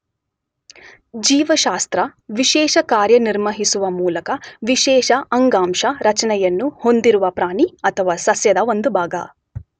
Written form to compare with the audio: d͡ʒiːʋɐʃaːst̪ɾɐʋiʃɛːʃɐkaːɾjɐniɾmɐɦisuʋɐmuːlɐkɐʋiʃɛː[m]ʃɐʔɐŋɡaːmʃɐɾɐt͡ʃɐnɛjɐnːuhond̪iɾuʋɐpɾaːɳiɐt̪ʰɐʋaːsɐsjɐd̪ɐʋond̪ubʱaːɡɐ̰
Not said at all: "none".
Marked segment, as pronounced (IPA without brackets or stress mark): none